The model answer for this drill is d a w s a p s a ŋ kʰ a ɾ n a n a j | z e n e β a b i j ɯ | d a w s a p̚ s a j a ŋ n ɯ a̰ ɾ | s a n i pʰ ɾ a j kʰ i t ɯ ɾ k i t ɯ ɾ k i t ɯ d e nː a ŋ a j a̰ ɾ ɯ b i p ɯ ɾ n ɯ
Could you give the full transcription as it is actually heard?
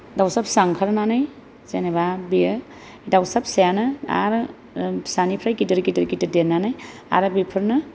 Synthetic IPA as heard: d a w s a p s a ŋ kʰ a ɾ n a n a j | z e n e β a b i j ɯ | d a w s a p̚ s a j a n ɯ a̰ ɾ | s a n i pʰ ɾ a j k i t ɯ ɾ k i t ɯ ɾ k i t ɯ d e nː a n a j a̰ ɾ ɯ b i pʰ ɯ ɾ n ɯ